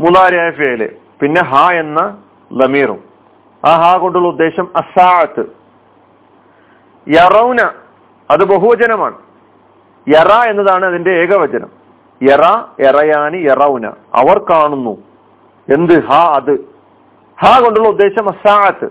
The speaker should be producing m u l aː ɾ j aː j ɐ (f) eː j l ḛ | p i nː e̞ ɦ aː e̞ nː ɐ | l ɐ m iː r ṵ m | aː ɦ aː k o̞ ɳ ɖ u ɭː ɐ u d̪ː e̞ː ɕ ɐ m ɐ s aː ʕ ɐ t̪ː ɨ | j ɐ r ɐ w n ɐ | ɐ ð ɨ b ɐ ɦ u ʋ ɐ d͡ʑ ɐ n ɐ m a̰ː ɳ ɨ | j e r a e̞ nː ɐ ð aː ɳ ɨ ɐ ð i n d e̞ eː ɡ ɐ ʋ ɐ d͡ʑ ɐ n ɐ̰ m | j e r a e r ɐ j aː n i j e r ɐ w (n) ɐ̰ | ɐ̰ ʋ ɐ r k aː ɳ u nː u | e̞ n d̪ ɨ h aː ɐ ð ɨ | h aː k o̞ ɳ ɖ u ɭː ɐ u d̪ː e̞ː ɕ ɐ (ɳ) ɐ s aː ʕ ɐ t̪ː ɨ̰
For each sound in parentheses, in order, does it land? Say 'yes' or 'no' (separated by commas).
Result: yes, yes, no